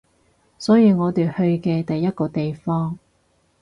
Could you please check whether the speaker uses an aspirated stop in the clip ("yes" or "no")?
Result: no